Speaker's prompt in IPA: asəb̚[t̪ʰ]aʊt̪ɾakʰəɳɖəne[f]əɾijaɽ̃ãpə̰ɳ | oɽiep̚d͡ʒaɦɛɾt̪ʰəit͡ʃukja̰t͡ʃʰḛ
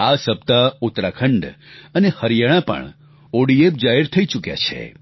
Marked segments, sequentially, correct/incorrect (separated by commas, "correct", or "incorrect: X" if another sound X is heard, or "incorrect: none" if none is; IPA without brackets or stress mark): incorrect: t̪, incorrect: h